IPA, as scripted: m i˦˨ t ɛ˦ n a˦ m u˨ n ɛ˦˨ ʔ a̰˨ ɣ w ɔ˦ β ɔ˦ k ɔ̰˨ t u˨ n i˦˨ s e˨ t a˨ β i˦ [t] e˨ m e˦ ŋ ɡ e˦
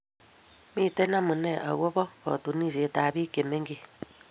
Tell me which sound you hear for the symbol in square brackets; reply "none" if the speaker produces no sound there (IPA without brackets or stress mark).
k